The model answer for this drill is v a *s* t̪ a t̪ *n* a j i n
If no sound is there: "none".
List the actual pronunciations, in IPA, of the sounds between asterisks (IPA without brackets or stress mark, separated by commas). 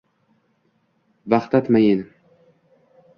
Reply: χ, m